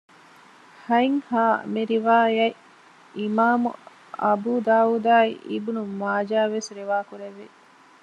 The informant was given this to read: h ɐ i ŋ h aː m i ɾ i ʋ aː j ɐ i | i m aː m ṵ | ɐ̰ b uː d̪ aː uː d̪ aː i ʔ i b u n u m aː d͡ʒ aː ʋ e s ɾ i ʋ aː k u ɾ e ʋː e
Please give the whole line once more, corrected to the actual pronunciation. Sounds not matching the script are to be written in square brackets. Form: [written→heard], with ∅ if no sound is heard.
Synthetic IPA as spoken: h ɐ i ŋ h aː m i ɾ i ʋ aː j ɐ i | i m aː m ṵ | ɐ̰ b uː d̪ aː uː d̪ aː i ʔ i b u n u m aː d͡ʒ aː ʋ e s ɾ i ʋ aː k u ɾ e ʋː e